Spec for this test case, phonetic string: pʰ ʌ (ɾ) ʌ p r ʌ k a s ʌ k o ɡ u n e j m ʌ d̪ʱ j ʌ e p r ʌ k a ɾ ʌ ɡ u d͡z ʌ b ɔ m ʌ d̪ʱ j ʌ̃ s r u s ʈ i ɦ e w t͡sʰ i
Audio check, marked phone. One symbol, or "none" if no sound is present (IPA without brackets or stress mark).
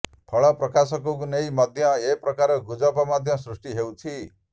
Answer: ɭ